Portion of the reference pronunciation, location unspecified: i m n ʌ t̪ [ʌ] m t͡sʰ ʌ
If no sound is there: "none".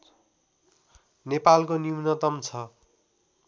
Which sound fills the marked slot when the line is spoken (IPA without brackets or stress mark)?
ʌ